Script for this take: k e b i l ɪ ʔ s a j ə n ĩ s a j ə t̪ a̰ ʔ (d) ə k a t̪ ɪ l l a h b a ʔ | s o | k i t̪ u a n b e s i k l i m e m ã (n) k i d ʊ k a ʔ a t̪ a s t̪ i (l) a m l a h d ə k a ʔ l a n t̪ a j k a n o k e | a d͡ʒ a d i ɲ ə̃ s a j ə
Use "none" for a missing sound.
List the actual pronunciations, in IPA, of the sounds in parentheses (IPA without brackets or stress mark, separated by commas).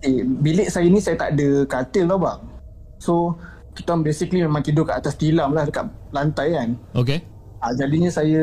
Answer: d, ŋ, l